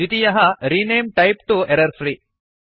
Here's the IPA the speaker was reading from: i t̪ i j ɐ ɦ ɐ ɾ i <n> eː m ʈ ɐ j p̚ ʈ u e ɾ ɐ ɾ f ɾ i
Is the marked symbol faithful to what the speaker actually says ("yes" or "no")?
yes